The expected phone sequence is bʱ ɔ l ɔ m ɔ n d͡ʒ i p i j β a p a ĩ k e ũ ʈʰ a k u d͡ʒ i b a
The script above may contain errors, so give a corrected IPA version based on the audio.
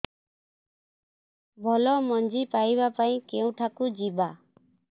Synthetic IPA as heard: bʱ ɔ l ɔ m ɔ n d͡ʒ i p a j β a p a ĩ k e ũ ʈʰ a k u d͡ʒ i b a